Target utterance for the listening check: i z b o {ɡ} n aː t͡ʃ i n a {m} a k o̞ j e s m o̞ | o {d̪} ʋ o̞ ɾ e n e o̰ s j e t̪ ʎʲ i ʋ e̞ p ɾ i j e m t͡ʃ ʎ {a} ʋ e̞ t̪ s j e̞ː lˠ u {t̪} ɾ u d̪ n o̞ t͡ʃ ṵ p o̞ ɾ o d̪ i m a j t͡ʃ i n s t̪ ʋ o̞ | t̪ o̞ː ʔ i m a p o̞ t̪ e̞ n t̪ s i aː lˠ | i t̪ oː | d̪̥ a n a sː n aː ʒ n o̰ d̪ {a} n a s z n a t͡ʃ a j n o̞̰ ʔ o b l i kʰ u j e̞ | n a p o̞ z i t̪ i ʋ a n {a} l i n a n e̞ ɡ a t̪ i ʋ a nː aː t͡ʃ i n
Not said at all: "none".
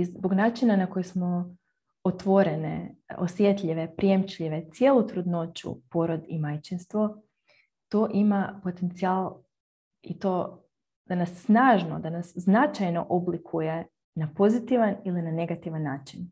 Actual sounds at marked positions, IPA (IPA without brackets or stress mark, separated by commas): ɡ, n, t̪, i, t̪, a, i